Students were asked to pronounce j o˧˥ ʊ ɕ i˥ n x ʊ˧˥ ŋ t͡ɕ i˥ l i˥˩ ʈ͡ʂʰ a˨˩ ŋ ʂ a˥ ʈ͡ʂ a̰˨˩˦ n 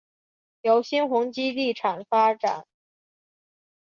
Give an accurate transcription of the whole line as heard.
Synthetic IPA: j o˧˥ ʊ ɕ i˥ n x ʊ˧˥ ŋ t͡ɕ i˥ l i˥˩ ʈ͡ʂʰ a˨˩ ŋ f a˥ ʈ͡ʂ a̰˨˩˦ n